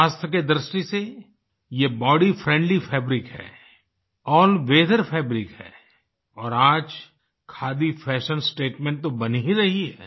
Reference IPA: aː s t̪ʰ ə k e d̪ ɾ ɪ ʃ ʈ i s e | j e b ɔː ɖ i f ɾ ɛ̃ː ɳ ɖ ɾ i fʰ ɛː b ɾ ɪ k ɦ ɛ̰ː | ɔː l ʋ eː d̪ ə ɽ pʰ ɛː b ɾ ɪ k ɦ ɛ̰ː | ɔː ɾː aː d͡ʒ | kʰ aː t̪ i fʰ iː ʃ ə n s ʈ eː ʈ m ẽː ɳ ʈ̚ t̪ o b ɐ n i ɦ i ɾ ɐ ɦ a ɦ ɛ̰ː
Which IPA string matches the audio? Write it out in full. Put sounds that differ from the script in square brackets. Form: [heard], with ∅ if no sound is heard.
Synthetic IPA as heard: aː s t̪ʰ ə k e d̪ ɾ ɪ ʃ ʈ i s e | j e b ɔː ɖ i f ɾ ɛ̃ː ɳ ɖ [l] i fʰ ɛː b ɾ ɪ k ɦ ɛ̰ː | ɔː l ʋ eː d̪ ə [ɾ] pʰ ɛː b ɾ ɪ k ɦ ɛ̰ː | ɔː [ɾ] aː d͡ʒ | kʰ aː [d̪] i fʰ [ɛː] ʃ ə n s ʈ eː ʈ m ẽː ɳ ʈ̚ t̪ o b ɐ n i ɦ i ɾ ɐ ɦ [i] ɦ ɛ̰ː

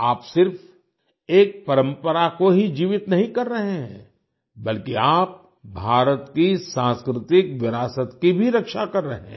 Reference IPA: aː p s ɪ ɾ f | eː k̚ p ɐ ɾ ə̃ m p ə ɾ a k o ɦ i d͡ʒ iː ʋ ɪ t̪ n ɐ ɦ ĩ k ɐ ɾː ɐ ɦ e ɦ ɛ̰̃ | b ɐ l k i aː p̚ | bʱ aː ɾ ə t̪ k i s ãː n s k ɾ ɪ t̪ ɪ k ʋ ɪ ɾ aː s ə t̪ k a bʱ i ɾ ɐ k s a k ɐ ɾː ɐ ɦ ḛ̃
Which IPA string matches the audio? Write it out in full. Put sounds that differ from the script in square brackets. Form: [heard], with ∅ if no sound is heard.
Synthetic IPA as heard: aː p s ɪ ɾ f | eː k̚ p ɐ ɾ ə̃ m p ə ɾ a k o ɦ i d͡ʒ iː ʋ ɪ t̪ n ɐ ɦ ĩ k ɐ ɾː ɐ ɦ e ɦ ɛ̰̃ | b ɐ l k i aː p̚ | bʱ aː ɾ ə t̪ k i s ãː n s k ɾ ɪ t̪ ɪ k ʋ ɪ ɾ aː s ə t̪ k [i] bʱ i ɾ ɐ k [ʃ] a k ɐ ɾː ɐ ɦ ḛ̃

